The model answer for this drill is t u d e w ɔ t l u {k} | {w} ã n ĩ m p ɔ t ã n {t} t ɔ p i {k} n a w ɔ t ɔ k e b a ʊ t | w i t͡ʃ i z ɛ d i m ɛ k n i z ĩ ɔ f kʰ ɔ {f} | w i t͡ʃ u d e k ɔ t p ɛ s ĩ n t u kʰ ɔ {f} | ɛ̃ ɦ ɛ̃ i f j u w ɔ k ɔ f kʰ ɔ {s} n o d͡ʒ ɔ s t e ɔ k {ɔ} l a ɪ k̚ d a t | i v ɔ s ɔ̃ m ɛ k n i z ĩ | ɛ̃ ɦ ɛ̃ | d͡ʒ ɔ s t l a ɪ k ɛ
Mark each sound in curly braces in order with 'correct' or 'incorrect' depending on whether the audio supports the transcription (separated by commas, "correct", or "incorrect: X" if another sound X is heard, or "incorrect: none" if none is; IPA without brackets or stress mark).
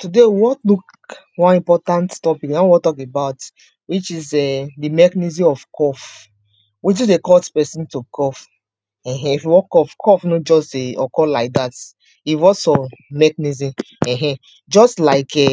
correct, correct, correct, correct, correct, correct, incorrect: f, correct